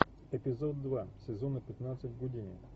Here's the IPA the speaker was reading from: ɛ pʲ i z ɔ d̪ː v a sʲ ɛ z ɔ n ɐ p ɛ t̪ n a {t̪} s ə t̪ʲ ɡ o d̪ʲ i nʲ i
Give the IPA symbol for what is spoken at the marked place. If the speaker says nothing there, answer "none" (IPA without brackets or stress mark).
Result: t̪